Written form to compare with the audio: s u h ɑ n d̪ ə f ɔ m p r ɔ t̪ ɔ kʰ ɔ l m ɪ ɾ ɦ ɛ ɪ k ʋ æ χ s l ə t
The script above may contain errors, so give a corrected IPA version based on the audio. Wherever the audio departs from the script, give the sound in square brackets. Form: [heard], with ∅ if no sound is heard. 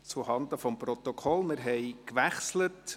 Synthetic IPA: [t͡s] u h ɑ n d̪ ə f ɔ m p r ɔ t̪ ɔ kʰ ɔ l m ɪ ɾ ɦ ɛ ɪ k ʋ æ χ s l ə t

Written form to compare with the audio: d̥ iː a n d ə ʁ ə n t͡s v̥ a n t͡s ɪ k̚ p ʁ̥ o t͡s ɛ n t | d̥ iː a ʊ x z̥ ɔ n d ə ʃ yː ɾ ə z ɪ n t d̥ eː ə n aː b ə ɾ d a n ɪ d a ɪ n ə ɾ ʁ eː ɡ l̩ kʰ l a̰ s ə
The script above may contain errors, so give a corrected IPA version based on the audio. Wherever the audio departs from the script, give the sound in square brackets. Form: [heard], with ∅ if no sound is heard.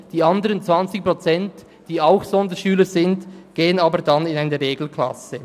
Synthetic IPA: d̥ iː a n d ə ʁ ə n t͡s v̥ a n t͡s ɪ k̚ p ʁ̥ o t͡s ɛ n t | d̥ iː a ʊ x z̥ ɔ n d ə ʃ yː [l] ə z ɪ n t [ɡ̥] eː ə n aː b ə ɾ d a n ɪ [n] a ɪ n ə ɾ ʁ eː ɡ l̩ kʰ l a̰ s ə

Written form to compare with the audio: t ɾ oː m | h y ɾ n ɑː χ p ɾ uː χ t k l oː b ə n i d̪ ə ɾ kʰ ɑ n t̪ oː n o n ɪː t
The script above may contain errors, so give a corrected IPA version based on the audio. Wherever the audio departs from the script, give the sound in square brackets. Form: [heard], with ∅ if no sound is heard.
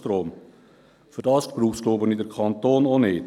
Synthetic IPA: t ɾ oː m | [f] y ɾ [d] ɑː [s] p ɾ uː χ [s] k l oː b ə n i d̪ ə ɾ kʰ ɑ n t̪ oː n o n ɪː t

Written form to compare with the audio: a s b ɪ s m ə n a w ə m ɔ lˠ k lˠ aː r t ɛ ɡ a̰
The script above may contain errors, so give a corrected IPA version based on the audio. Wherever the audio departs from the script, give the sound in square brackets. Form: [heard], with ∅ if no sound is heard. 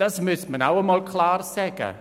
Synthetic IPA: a s [m] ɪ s m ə n a w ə m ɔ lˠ [kʰ] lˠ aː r [s] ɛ ɡ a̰

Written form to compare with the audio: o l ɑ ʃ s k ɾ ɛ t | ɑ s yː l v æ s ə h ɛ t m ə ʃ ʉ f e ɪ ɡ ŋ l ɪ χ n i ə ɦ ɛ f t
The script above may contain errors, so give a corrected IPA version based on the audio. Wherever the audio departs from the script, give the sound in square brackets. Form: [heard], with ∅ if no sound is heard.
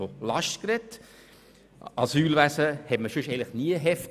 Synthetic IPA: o l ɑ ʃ [t] k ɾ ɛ t | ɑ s yː l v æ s ə h ɛ t m ə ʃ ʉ [ʃ] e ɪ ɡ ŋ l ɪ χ n i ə ɦ ɛ f t

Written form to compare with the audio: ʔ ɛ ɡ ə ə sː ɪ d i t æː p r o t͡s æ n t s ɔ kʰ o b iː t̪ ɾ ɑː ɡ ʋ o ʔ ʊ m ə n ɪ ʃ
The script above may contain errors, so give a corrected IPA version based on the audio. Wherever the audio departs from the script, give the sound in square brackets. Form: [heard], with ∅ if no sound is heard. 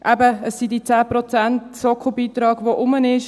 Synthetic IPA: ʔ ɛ [b] ə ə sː [i] d i [t͡s] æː p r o t͡s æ n t s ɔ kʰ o b iː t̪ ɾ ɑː ɡ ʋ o ʔ ʊ m ə n ɪ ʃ

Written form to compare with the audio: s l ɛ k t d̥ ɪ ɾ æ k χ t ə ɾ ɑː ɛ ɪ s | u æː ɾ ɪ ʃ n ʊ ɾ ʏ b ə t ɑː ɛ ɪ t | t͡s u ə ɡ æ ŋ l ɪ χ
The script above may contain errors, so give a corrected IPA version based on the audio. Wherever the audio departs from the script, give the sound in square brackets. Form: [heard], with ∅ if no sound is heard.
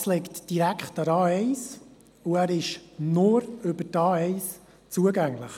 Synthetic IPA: s l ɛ k t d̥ [i] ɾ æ k χ t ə ɾ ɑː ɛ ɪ s | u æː ɾ ɪ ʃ n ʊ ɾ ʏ b ə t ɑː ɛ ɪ [s] | t͡s u ə ɡ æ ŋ l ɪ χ

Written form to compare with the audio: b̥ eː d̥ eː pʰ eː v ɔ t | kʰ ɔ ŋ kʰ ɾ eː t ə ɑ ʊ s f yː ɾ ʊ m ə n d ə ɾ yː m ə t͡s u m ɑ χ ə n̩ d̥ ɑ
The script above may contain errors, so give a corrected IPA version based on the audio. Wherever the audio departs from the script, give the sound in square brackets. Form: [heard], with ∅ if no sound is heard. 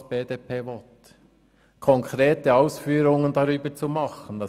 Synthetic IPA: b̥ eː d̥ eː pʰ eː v ɔ t | kʰ ɔ ŋ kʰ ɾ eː t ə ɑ ʊ s f yː ɾ ʊ [ŋ] ə n d [ɑ] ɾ yː [b] ə t͡s u m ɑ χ ə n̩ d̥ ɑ

